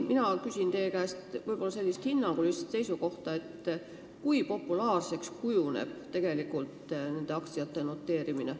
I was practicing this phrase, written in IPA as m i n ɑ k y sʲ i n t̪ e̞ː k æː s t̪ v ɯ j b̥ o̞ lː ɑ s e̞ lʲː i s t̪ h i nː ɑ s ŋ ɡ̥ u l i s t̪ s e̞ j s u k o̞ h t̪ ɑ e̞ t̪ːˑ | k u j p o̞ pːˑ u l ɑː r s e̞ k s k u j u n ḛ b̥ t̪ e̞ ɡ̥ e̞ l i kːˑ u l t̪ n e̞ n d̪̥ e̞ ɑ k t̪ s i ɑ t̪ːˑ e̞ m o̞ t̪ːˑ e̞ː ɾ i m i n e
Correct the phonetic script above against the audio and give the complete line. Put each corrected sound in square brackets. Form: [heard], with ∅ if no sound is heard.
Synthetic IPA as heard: m i n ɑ k y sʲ i n t̪ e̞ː k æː s t̪ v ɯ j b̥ o̞ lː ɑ s e̞ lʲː i s t̪ h i nː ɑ [∅] ŋ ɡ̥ u l i s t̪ s e̞ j s u k o̞ h t̪ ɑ e̞ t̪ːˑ | k u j p o̞ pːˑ u l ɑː r s e̞ k s k u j u n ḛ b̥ t̪ e̞ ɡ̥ e̞ l i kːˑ u l t̪ n e̞ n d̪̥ e̞ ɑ k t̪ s i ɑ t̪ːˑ e̞ [n] o̞ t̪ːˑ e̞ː ɾ i m i n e